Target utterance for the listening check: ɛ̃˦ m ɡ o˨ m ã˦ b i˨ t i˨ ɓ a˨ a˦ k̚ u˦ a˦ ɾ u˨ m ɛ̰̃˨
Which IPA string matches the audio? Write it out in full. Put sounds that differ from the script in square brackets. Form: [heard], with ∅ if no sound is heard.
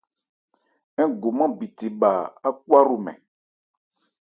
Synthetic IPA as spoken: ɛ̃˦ [∅] ɡ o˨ m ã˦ b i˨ t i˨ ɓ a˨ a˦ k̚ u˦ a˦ ɾ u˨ m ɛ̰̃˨